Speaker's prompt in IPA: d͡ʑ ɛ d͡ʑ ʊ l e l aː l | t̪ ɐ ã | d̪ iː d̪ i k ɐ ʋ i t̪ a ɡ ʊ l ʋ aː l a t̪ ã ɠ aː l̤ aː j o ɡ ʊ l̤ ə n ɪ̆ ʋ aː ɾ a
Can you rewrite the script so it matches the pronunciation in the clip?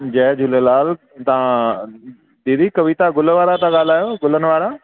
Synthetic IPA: d͡ʑ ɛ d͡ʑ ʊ l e l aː l | t̪ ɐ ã | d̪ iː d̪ i k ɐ ʋ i t̪ a ɡ ʊ l ʋ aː ɾ a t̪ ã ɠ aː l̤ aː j o ɡ ʊ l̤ ə n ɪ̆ ʋ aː ɾ a